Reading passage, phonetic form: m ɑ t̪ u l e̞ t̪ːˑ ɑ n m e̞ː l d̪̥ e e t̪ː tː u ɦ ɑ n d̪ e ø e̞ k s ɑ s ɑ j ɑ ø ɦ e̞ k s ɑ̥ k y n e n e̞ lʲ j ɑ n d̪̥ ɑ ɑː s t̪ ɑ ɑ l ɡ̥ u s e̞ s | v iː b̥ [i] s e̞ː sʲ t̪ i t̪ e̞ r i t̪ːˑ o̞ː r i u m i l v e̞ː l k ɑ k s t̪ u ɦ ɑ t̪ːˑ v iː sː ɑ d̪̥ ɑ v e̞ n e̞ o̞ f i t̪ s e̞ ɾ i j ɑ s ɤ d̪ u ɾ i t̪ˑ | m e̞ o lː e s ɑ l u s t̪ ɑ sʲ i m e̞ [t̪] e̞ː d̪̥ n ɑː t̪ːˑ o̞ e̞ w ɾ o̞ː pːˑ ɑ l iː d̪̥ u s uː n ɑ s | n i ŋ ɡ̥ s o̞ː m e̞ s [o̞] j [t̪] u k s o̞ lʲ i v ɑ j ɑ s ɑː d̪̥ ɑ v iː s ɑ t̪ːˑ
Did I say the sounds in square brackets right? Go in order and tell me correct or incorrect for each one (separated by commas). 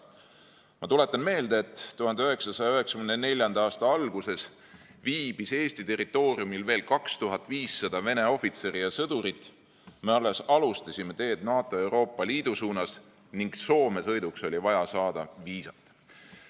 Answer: correct, correct, incorrect, incorrect